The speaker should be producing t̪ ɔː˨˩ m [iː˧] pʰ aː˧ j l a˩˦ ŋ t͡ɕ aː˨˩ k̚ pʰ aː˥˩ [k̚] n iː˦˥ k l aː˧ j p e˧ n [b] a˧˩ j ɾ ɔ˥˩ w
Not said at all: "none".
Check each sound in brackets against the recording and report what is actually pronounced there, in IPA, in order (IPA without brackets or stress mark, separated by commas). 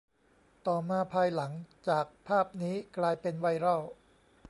aː˧, p̚, w